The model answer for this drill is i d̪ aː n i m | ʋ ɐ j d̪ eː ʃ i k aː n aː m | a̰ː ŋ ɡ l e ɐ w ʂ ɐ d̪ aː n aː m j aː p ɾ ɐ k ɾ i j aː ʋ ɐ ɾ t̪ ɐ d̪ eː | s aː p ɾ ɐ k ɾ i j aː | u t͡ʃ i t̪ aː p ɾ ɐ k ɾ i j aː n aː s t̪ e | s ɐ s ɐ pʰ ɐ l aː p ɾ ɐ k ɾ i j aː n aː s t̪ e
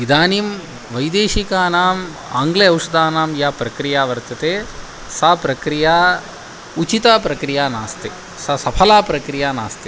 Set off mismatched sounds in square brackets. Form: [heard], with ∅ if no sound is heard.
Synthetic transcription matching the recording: i d̪ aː n i m | ʋ ɐ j d̪ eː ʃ i k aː n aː m | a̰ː ŋ ɡ l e ɐ w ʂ ɐ d̪ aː n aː m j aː p ɾ ɐ k ɾ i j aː ʋ ɐ ɾ t̪ ɐ [t̪] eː | s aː p ɾ ɐ k ɾ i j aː | u t͡ʃ i t̪ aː p ɾ ɐ k ɾ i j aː n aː s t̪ e | s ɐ s ɐ pʰ ɐ l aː p ɾ ɐ k ɾ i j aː n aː s t̪ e